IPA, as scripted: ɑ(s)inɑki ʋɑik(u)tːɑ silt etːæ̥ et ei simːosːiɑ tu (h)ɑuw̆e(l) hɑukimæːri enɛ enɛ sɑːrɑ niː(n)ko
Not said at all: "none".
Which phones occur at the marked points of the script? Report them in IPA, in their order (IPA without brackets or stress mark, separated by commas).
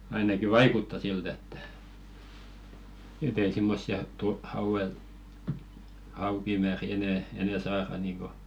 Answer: none, u, h, l, ŋ